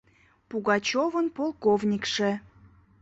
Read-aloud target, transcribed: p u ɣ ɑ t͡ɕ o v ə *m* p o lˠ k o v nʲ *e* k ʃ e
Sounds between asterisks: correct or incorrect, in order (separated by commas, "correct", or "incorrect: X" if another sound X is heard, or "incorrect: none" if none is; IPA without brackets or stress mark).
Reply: incorrect: n, incorrect: i